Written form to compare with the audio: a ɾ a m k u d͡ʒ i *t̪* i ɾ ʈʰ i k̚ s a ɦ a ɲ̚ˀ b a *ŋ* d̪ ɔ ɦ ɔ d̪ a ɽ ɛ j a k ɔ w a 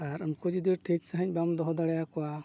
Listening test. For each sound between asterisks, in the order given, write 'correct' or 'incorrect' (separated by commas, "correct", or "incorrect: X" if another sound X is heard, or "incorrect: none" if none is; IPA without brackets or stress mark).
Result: incorrect: d̪, incorrect: m